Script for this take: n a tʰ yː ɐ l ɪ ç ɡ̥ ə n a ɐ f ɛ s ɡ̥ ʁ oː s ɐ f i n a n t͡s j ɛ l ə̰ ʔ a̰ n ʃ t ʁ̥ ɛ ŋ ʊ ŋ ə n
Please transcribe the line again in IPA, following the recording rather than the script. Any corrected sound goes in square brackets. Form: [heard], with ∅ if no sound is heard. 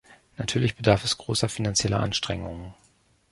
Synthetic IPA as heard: n a tʰ yː ɐ l ɪ ç [b̥] ə [d] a ɐ f ɛ s ɡ̥ ʁ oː s ɐ f i n a n t͡s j ɛ l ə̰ ʔ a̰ n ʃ t ʁ̥ ɛ ŋ ʊ ŋ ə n